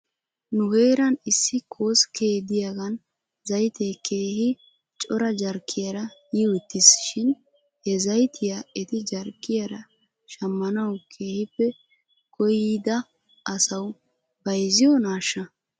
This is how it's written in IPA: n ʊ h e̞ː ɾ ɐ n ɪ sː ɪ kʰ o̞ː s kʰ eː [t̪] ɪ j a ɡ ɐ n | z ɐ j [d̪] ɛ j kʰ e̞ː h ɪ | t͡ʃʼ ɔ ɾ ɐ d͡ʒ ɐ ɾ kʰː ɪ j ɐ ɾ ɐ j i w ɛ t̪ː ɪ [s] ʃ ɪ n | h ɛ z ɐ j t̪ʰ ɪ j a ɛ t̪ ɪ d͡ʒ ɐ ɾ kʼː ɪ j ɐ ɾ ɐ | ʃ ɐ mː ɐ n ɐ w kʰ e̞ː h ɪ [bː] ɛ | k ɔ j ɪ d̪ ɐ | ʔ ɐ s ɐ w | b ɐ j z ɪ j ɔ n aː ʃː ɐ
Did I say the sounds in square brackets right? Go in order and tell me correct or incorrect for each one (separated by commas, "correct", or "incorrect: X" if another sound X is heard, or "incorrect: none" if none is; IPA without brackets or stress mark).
incorrect: d̪, incorrect: t̪, correct, incorrect: pː